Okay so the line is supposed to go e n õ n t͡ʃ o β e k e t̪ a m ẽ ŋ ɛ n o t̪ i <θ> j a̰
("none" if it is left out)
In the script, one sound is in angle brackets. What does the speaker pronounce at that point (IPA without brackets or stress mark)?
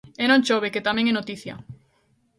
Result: θ